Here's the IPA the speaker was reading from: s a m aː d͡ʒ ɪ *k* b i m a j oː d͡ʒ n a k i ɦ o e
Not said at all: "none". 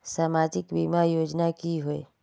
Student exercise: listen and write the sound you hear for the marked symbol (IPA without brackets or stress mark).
k